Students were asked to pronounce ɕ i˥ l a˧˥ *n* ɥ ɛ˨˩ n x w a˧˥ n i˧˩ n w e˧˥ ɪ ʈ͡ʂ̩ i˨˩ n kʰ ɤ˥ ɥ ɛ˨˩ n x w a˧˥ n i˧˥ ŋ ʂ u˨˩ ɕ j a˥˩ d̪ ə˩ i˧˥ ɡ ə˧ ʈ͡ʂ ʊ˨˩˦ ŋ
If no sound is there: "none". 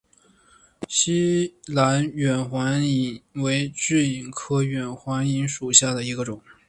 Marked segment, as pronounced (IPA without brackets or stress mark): n